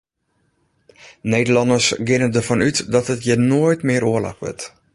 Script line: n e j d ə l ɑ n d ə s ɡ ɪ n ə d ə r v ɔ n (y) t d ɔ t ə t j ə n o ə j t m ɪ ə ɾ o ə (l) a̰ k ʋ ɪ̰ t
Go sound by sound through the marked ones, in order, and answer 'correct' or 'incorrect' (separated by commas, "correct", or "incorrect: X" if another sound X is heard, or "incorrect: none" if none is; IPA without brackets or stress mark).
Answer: correct, correct